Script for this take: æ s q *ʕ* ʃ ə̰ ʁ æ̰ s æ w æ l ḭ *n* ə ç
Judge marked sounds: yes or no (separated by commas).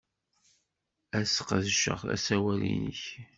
no, yes